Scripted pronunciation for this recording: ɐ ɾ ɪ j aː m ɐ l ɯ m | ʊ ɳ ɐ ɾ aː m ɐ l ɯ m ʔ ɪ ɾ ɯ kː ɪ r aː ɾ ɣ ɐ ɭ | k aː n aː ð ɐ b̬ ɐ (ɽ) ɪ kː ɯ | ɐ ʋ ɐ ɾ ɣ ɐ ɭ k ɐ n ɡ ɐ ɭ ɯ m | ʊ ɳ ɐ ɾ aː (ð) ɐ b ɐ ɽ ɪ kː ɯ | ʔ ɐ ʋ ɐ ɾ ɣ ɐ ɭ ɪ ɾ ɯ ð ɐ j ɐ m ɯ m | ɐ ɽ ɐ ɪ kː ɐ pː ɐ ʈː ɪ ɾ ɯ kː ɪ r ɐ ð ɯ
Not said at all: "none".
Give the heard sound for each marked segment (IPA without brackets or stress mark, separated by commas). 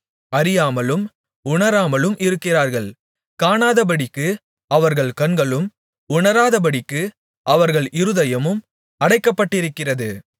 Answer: ɽ, ð